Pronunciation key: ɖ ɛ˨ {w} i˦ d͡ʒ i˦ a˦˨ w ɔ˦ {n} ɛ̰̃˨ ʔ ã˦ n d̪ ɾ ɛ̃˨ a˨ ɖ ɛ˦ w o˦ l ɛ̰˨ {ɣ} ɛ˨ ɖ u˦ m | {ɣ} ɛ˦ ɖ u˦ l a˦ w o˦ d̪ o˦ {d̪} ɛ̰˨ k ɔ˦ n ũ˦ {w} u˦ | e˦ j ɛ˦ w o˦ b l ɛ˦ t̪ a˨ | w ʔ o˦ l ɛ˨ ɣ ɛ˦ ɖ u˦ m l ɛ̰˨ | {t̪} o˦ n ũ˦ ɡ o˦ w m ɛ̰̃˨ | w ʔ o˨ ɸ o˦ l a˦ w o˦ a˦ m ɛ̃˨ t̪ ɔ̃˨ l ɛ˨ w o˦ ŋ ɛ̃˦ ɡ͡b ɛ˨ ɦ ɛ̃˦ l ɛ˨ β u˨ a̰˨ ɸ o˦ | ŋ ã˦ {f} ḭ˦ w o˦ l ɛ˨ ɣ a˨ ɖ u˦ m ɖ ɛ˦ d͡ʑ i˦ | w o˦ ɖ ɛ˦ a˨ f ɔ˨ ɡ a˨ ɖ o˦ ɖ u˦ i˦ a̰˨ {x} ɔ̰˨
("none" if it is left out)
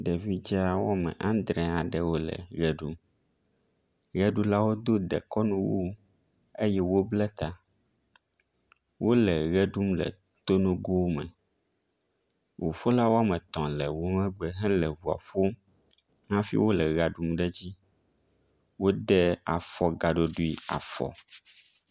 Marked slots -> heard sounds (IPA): v, m, ɣ, ɣ, d̪, w, t̪, f, f

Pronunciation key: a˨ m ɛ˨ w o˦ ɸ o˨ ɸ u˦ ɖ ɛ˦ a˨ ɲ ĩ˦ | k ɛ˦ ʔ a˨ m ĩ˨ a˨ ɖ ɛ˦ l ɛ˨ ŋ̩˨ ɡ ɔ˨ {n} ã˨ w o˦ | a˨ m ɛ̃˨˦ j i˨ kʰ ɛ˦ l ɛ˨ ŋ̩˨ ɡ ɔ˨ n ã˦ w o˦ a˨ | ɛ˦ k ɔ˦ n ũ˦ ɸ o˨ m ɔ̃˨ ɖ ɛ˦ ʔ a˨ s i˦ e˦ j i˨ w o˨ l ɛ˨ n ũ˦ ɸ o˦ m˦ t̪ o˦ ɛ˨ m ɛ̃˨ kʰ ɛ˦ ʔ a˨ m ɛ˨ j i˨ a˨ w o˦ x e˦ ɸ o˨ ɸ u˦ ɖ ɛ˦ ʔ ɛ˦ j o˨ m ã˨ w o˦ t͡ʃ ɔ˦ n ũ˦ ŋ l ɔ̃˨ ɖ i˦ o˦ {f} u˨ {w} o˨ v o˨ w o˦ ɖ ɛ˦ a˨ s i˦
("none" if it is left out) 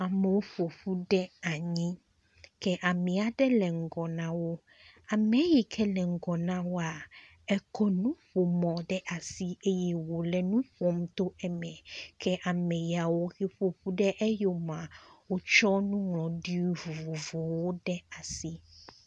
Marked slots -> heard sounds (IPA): n, v, v

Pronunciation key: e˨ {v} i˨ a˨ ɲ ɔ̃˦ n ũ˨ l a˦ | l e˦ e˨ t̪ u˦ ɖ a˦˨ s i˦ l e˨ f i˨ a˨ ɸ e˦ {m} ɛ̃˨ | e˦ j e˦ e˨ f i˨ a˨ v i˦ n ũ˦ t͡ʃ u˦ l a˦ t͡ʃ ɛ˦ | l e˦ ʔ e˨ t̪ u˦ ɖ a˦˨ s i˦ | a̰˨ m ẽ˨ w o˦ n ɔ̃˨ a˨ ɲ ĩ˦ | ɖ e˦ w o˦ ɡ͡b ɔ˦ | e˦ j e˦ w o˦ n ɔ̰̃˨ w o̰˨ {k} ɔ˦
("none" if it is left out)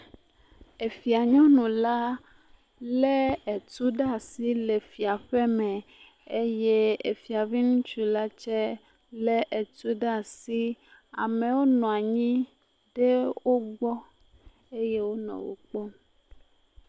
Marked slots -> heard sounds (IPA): f, m, k͡p

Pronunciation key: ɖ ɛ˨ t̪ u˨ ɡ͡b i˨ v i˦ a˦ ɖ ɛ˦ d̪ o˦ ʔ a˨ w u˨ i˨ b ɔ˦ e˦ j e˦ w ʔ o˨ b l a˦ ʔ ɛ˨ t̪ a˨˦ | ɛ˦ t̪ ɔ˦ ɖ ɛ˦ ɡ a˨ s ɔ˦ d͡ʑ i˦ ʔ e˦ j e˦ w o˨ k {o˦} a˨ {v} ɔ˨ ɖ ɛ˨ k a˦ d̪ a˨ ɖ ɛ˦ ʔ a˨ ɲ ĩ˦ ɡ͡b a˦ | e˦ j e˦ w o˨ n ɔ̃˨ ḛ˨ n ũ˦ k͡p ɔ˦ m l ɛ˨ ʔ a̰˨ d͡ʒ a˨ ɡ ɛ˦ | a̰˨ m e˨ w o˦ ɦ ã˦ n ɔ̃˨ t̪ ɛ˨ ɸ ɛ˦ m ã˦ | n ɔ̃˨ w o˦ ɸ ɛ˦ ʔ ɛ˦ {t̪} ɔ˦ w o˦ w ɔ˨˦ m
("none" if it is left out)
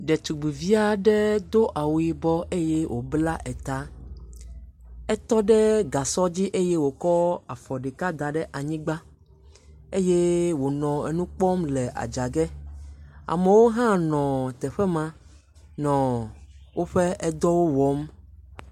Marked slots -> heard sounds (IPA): ɔ˦, f, d̪

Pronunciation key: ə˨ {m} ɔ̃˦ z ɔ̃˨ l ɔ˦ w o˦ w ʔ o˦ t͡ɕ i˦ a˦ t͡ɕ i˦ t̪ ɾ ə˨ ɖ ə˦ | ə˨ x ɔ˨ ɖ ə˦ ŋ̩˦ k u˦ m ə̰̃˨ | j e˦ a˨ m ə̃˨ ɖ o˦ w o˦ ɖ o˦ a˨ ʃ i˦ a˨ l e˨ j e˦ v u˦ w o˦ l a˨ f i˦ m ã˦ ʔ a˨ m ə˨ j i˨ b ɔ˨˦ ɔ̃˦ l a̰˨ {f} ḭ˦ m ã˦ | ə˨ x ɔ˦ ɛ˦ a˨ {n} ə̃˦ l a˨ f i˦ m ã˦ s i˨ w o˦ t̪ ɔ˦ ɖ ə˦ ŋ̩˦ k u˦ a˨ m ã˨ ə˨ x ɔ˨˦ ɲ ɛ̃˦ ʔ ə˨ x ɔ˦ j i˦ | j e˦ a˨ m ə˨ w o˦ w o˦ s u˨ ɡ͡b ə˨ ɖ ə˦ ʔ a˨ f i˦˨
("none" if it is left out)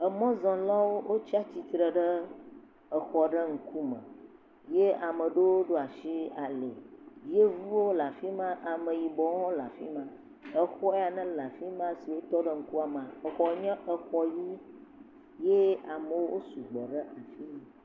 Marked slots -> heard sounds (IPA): m, f, n

